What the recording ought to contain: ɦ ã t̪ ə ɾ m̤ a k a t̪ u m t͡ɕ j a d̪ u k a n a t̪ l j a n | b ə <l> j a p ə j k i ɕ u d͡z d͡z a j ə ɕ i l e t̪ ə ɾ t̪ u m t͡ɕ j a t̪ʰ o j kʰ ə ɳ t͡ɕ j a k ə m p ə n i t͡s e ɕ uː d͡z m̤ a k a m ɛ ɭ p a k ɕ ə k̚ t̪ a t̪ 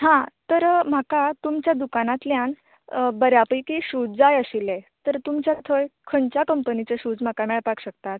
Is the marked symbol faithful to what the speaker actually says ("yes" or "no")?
no